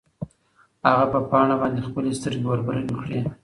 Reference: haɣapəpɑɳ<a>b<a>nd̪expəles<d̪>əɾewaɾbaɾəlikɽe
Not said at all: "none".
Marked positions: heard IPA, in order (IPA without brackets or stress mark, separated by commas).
a, ɑ, t̪